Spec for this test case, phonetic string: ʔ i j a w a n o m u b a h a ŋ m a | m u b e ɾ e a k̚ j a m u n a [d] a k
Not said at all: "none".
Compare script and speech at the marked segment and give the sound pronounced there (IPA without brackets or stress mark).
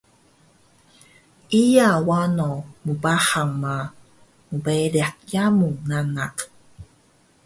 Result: n